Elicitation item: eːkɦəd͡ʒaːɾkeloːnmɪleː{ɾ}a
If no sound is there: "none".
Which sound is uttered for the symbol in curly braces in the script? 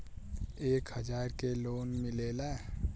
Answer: l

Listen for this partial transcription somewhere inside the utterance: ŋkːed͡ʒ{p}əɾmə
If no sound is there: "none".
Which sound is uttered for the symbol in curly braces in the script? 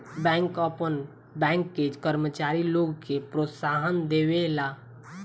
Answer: k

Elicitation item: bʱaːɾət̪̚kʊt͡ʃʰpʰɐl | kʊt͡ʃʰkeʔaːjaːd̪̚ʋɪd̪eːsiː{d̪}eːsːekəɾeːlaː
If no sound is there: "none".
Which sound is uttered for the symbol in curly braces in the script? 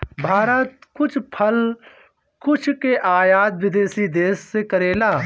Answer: d̪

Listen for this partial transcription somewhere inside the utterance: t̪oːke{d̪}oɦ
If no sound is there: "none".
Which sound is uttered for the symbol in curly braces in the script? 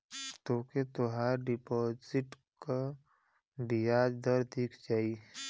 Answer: t̪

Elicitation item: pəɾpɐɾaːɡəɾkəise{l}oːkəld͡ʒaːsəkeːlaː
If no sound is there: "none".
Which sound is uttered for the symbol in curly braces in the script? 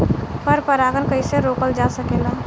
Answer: ɾ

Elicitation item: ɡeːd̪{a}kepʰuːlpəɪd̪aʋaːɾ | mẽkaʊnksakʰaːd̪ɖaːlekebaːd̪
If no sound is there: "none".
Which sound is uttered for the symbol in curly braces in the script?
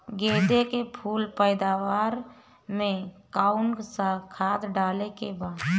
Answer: e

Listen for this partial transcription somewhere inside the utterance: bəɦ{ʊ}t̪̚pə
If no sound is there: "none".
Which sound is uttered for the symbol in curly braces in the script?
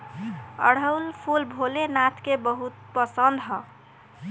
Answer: u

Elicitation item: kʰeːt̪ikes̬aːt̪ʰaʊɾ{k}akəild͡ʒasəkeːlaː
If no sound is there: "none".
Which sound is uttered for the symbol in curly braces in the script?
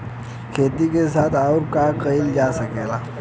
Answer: k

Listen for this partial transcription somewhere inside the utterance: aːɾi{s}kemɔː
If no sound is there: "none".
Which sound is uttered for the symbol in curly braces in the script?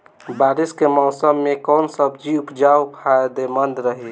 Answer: s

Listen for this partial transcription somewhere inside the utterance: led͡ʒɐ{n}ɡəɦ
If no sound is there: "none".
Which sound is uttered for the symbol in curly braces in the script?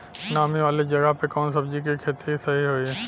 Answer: none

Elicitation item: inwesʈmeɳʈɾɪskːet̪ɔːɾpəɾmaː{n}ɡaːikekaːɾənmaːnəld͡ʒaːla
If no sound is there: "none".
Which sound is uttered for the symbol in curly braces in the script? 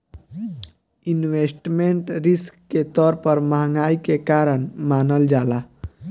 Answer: ŋ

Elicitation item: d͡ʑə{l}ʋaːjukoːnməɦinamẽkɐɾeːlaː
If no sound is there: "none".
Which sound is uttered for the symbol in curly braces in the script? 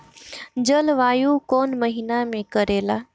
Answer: l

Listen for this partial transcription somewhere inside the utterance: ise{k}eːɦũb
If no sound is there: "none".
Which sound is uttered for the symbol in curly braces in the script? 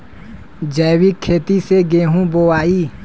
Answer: ɡ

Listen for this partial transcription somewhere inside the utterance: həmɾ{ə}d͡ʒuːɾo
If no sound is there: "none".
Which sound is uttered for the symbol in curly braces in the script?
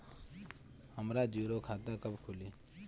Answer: a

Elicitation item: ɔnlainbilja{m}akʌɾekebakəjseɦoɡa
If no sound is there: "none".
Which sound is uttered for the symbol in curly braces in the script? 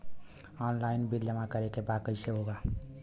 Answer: m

